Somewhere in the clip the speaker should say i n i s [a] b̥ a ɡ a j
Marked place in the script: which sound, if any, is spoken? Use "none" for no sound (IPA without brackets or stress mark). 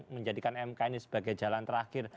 ə